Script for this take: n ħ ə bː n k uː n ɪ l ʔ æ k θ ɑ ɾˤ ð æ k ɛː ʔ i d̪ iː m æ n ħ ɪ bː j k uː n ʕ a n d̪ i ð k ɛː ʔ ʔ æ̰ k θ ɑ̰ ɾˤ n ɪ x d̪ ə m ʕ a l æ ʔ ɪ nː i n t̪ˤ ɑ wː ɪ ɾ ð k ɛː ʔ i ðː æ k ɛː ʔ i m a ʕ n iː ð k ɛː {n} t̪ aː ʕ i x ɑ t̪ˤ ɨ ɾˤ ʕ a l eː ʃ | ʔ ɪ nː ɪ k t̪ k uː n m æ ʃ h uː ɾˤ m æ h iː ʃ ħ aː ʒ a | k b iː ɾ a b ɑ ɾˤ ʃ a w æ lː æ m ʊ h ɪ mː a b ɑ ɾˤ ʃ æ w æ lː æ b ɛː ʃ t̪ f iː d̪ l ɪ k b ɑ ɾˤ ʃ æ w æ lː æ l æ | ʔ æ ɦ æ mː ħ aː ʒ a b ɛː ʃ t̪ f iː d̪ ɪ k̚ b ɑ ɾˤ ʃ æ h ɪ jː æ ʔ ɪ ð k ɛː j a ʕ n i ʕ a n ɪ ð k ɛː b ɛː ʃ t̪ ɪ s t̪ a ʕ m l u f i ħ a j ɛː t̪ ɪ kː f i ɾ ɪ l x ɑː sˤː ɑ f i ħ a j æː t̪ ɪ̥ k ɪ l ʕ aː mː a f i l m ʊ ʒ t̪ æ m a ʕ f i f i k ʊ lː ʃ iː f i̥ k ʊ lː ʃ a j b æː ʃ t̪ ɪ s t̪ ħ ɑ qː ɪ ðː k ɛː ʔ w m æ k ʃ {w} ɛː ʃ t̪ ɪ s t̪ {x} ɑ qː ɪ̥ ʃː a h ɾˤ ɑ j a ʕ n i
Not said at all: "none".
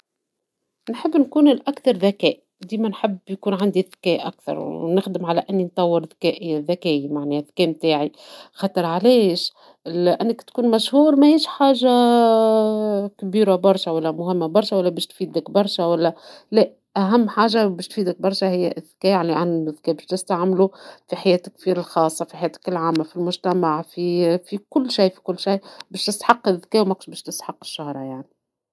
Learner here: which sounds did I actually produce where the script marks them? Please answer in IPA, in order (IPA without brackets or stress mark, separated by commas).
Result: m, b, ħ